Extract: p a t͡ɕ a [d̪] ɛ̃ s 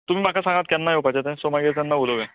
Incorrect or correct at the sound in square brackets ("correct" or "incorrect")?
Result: incorrect